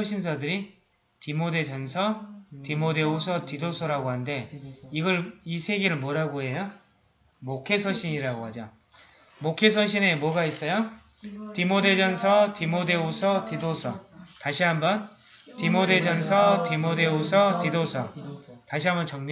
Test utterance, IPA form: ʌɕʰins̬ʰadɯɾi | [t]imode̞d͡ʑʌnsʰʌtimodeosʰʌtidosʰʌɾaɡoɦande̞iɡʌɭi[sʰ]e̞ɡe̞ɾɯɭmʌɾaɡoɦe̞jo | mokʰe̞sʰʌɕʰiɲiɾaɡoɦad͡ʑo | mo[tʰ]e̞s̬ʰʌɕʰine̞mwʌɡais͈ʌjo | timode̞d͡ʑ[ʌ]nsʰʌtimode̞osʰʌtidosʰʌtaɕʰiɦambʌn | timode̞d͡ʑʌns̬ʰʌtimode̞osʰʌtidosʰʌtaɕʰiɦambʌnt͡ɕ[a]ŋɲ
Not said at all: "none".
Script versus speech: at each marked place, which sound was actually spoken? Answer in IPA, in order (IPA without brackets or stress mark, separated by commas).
t, sʰ, kʰ, ʌ, ʌ